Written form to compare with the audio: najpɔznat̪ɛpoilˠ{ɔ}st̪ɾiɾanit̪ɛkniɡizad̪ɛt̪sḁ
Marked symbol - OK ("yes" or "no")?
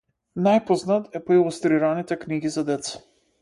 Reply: no